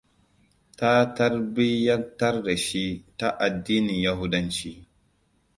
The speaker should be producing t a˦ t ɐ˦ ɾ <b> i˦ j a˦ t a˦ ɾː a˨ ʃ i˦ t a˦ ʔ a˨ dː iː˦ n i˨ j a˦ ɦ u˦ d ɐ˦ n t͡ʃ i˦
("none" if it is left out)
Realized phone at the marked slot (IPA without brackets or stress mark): b